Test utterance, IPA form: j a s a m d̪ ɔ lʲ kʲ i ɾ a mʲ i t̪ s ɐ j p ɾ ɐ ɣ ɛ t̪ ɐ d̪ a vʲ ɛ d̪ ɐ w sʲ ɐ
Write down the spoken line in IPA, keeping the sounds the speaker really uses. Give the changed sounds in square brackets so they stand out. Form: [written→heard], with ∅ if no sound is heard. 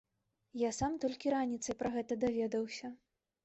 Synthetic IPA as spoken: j a s a m [d̪→t̪] ɔ lʲ kʲ i ɾ a [mʲ→nʲ] i t̪ s ɐ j p ɾ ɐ ɣ ɛ t̪ ɐ d̪ a vʲ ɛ d̪ ɐ w sʲ ɐ